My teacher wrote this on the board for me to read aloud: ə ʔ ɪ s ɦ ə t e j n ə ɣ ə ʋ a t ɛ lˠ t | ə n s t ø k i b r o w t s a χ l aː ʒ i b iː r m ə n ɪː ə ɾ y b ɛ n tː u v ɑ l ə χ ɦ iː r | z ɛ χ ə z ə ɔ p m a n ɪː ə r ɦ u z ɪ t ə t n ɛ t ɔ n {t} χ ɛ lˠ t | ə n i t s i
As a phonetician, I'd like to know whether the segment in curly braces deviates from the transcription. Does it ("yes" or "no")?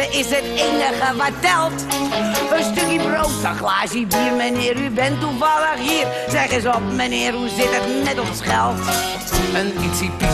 yes